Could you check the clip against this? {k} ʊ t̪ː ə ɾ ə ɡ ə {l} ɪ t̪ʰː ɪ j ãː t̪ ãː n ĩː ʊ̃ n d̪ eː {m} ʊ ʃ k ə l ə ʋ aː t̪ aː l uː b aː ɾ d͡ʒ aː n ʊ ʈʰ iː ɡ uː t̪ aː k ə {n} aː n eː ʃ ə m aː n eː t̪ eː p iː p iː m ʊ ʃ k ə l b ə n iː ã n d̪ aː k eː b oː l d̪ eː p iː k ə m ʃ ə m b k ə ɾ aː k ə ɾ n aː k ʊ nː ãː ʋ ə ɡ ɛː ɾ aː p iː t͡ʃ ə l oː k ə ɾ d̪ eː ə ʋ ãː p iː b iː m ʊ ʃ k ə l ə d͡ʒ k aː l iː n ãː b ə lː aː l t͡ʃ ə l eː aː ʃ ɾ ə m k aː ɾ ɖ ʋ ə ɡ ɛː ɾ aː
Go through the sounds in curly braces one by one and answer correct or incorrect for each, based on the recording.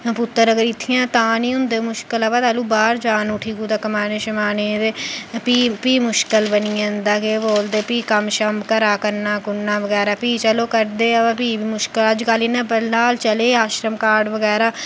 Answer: incorrect, incorrect, correct, incorrect

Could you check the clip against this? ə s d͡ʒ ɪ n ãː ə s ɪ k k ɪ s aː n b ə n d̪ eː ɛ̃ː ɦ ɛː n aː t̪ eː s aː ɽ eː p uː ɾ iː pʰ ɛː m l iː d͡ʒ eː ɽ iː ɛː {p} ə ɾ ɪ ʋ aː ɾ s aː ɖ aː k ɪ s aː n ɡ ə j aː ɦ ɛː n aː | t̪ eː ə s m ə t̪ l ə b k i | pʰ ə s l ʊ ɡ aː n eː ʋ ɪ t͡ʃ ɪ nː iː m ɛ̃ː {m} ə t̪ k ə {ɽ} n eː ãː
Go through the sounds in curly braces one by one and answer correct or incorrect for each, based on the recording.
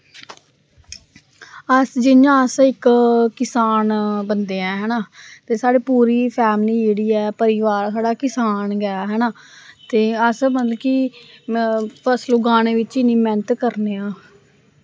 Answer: correct, incorrect, incorrect

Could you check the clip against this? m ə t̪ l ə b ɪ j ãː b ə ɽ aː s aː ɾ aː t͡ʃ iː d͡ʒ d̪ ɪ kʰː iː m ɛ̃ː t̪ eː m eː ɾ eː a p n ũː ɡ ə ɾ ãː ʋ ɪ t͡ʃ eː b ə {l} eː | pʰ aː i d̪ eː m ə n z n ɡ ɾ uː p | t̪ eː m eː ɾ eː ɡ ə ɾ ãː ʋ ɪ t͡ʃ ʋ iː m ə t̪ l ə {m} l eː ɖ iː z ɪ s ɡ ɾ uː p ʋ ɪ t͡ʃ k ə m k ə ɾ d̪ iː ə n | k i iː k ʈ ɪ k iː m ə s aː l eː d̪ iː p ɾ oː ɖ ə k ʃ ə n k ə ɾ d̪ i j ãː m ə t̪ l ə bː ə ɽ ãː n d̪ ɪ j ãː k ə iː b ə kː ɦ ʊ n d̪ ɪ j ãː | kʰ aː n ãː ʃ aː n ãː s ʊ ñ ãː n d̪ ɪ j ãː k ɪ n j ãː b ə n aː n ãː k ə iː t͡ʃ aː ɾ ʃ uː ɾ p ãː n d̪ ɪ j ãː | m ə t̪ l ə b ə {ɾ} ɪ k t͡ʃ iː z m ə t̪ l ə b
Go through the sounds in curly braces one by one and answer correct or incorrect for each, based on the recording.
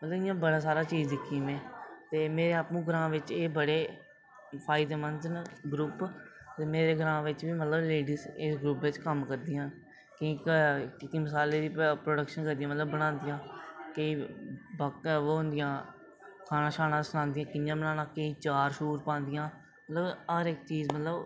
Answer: incorrect, incorrect, correct

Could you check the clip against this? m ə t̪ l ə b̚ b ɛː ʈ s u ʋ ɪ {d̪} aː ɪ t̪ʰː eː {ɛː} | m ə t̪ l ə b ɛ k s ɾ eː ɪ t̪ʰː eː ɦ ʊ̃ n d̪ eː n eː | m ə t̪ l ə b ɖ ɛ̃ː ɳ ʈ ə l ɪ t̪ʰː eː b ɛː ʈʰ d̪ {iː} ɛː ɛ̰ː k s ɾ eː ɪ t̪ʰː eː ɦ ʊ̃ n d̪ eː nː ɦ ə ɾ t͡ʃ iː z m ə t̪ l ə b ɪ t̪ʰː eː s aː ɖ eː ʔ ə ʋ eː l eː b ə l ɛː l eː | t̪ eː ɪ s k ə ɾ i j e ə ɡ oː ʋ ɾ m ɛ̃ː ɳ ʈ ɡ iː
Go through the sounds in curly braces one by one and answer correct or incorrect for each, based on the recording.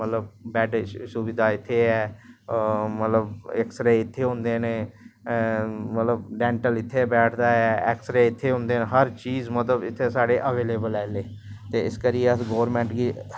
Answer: correct, correct, incorrect

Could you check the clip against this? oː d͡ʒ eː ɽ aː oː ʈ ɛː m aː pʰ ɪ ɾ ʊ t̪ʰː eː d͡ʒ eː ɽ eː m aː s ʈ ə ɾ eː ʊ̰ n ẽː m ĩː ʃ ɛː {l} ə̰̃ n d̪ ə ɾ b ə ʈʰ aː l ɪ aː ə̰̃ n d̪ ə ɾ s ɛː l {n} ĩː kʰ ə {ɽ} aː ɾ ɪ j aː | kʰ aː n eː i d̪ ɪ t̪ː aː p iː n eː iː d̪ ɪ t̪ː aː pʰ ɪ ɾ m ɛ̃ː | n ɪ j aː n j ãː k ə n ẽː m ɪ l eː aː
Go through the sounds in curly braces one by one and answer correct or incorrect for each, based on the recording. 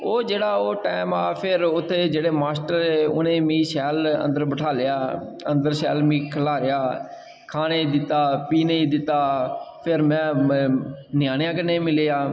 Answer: correct, incorrect, incorrect

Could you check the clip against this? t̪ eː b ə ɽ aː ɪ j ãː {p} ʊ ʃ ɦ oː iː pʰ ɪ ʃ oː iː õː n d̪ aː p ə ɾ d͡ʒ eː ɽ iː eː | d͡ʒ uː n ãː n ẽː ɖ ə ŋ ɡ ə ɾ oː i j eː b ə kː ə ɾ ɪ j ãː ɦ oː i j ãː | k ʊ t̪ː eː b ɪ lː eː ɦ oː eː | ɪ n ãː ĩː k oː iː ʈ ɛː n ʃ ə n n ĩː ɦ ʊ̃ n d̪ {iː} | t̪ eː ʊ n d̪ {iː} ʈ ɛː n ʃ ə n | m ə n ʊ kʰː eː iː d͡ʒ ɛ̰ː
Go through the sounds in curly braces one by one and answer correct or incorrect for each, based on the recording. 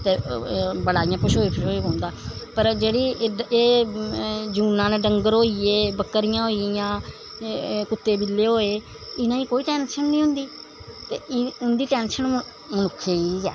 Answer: correct, correct, correct

